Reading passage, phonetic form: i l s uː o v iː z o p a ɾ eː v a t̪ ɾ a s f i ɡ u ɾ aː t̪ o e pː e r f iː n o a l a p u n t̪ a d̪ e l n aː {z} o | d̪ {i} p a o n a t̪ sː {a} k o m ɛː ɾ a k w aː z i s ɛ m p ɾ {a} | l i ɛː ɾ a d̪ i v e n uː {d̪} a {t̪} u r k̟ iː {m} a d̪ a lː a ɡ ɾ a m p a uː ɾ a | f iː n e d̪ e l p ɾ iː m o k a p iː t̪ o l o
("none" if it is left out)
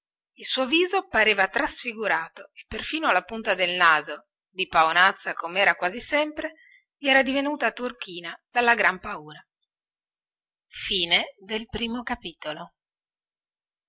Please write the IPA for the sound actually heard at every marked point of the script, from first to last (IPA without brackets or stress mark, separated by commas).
z, i, a, e, t̪, t̪, n